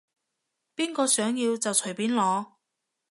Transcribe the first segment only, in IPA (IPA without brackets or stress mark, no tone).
p